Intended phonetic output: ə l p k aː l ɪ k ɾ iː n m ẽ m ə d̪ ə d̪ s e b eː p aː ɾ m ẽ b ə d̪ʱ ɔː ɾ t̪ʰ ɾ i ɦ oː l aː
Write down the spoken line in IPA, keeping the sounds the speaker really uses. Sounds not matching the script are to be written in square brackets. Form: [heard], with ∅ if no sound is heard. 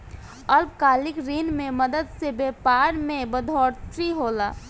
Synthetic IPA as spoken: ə l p k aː l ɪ k ɾ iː n m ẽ m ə d̪ ə d̪ s e b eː p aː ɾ m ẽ b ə d̪ʱ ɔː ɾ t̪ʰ ɾ i ɦ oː l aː